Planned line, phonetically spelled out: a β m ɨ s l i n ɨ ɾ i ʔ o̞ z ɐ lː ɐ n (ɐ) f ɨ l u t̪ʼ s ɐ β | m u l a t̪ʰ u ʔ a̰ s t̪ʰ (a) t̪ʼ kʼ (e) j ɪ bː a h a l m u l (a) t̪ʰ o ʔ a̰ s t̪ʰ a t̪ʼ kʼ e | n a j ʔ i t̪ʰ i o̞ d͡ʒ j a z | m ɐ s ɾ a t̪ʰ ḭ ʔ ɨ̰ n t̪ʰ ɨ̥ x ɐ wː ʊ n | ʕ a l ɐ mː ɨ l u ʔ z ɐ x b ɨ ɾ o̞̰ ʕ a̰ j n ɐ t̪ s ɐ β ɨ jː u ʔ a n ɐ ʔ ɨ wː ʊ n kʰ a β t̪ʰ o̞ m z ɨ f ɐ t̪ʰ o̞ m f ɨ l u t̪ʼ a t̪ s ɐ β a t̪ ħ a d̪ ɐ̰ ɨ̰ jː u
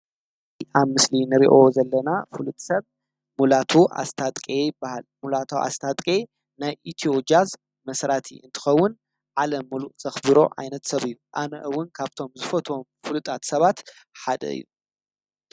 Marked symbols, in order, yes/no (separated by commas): no, yes, yes, yes